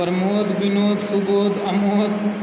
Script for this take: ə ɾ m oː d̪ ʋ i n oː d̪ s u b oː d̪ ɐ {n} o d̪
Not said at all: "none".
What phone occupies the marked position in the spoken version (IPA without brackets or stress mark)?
m